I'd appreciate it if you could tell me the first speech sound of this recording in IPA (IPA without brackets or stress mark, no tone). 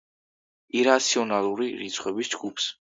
i